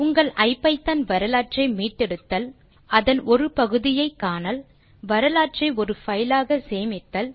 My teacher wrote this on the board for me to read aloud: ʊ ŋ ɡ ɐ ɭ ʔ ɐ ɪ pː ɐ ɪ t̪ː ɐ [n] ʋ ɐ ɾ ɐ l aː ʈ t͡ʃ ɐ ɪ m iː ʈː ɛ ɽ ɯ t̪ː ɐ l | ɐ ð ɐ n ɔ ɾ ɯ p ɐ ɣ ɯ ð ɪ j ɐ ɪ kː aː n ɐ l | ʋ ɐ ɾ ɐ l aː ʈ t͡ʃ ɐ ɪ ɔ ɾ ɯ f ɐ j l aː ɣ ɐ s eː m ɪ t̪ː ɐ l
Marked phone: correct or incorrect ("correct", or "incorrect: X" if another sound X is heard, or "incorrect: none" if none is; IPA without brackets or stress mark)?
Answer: correct